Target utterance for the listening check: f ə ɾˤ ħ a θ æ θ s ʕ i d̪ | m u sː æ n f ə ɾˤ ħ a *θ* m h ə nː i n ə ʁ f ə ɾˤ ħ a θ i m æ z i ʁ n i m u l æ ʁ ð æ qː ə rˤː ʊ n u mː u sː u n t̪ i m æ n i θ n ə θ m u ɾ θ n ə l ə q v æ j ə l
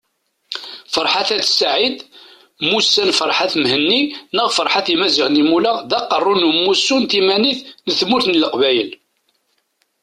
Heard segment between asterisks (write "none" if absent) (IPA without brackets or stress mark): θ